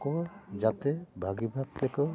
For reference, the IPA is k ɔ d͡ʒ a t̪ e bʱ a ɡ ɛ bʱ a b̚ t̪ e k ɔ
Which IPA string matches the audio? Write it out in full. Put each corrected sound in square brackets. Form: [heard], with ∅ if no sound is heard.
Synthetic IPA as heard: k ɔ d͡ʒ a t̪ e bʱ a ɡ [i] bʱ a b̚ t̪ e k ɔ